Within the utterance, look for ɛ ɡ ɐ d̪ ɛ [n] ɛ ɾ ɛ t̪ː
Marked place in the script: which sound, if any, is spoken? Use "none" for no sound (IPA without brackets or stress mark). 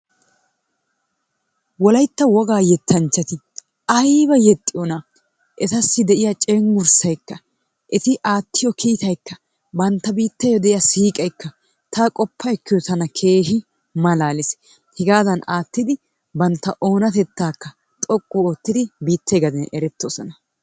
n